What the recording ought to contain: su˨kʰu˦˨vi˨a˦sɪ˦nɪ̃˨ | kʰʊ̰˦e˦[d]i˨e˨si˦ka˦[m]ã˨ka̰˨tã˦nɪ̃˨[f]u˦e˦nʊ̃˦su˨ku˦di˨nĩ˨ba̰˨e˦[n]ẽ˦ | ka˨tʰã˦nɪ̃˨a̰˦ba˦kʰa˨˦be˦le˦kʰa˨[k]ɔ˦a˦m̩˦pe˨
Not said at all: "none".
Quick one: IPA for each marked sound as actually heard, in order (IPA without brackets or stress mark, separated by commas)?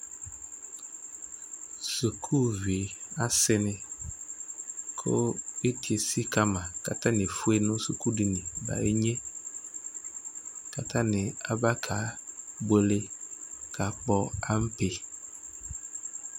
t, m, f, ɲ, k͡p